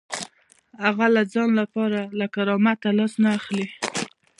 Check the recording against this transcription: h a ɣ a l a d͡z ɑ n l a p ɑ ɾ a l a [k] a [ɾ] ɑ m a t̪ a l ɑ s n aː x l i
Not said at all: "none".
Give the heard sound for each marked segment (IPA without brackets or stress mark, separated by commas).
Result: k, ɾ